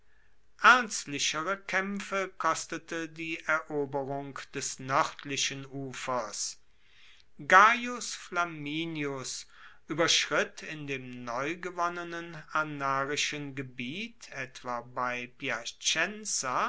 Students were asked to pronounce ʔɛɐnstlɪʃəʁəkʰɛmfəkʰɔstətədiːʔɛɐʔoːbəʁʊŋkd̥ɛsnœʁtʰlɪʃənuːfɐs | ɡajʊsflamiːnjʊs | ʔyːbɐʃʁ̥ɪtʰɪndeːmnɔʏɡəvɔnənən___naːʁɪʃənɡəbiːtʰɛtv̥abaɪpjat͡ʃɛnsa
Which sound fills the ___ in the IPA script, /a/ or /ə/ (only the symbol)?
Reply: a